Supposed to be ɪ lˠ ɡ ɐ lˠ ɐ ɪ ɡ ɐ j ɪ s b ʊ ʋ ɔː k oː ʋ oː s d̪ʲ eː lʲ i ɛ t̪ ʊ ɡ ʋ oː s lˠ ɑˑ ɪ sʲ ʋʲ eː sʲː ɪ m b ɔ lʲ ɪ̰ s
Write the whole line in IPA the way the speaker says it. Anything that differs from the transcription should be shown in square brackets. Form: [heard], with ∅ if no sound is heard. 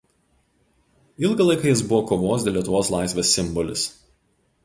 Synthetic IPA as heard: ɪ lˠ ɡ ɐ lˠ ɐ ɪ [k] ɐ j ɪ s b ʊ ʋ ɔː k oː ʋ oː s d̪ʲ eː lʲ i ɛ t̪ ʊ [∅] ʋ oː s lˠ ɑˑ ɪ sʲ ʋʲ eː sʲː ɪ m b ɔ lʲ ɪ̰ s